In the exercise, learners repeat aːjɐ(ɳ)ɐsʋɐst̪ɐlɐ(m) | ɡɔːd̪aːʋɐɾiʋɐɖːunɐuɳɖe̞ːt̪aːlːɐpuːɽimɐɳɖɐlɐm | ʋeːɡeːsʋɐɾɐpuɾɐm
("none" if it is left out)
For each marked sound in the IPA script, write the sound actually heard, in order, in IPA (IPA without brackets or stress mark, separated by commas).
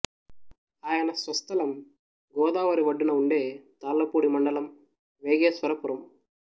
n, m